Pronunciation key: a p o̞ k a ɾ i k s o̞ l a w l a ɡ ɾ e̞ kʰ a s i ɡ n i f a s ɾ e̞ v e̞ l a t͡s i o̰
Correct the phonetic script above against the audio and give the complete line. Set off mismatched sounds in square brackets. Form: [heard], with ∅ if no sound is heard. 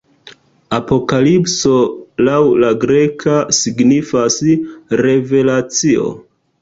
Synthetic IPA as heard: a p o̞ k a [l] i [p] s o̞ l a w l a ɡ ɾ e̞ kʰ a s i ɡ n i f a s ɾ e̞ v e̞ l a t͡s i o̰

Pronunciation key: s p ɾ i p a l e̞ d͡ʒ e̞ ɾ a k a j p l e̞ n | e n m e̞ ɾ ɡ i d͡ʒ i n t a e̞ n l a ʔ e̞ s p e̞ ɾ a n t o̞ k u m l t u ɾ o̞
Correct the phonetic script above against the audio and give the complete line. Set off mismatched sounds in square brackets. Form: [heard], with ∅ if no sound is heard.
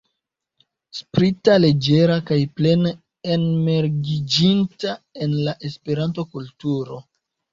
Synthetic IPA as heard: s p ɾ i [t] a l e̞ d͡ʒ e̞ ɾ a k a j p l e̞ n | e n m e̞ ɾ ɡ i d͡ʒ i n t a e̞ n l a ʔ e̞ s p e̞ ɾ a n t o̞ k u [∅] l t u ɾ o̞

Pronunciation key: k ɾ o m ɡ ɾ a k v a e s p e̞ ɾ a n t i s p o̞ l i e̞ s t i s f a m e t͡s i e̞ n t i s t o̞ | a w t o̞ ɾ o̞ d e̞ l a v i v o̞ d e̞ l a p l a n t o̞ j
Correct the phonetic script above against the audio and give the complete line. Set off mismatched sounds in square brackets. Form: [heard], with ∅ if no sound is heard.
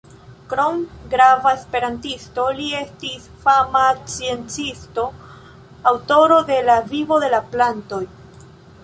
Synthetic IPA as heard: k ɾ o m ɡ ɾ a [∅] v a e s p e̞ ɾ a n t i s [t] o̞ l i e̞ s t i s f a m [a] t͡s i e̞ n [t͡s] i s t o̞ | a w t o̞ ɾ o̞ d e̞ l a v i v o̞ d e̞ l a p l a n t o̞ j

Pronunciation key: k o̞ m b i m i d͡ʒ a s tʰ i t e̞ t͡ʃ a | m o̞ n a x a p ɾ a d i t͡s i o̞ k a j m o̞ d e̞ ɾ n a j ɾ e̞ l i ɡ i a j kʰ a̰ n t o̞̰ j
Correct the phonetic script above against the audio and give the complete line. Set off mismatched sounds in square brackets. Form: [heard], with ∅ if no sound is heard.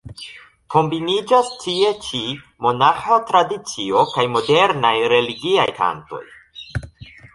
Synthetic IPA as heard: k o̞ m b i [n] i d͡ʒ a s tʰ i [∅] e̞ t͡ʃ [i] | m o̞ n a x a [t] ɾ a d i t͡s i o̞ k a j m o̞ d e̞ ɾ n a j ɾ e̞ l i ɡ i a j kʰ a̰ n t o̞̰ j

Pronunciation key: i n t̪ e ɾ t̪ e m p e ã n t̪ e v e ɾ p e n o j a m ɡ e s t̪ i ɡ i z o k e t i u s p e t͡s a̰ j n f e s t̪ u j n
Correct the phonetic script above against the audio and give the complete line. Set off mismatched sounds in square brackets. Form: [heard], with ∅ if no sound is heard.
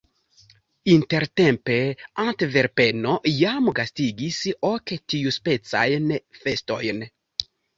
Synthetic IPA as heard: i n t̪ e ɾ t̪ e m p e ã n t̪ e v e ɾ p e n o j a m ɡ [a] s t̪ i ɡ i [s] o k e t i u s p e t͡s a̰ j n f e s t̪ [o] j n

